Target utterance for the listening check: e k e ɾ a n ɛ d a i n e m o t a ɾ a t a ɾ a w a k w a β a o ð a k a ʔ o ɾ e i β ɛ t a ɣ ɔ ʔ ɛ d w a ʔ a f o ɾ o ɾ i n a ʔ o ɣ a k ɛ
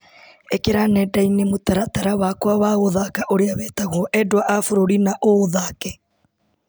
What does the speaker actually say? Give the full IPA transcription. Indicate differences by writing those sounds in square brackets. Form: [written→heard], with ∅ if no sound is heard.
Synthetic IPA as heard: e k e ɾ a n ɛ d a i n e m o t a ɾ a t a ɾ a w a k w a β a o ð a k a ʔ o ɾ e [i→a] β ɛ t a ɣ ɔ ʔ ɛ d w a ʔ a f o ɾ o ɾ i n a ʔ o [ɣ→ð] a k ɛ

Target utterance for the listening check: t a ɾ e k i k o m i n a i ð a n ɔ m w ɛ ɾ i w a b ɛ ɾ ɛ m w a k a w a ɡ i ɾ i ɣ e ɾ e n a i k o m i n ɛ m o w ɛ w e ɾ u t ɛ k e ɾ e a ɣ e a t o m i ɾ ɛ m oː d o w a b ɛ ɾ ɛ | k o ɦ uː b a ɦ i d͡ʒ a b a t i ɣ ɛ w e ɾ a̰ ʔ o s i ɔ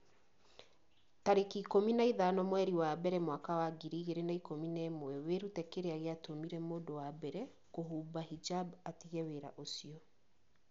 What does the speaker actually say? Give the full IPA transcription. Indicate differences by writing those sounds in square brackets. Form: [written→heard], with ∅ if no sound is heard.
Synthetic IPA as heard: t a ɾ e k i k o m i n a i ð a n ɔ m w ɛ ɾ i w a b ɛ ɾ ɛ m w a k a w a ɡ i ɾ i ɣ e ɾ e n a i k o m i n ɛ m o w ɛ w e ɾ u t ɛ k e ɾ e a ɣ e a t o m i ɾ ɛ m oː d o w a b ɛ ɾ ɛ | k o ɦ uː b a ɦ i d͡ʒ a b a t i ɣ ɛ w e ɾ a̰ ʔ o s i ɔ

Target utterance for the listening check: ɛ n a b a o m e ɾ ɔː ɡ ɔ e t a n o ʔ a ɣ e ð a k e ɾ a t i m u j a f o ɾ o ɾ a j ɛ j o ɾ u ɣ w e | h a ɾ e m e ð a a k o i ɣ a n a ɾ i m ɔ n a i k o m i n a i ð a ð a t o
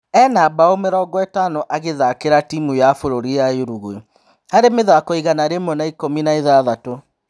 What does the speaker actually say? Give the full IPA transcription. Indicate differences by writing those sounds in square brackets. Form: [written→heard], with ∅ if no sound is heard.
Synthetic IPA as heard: ɛ n a b a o m e ɾ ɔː ɡ ɔ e t a n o ʔ a ɣ e ð a k e ɾ a t i m u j a f o ɾ o ɾ [a→i] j [ɛ→a] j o ɾ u ɣ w e | h a ɾ e m e ð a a k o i ɣ a n a ɾ [i→e] m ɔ n a i k o m i n a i ð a ð a t o

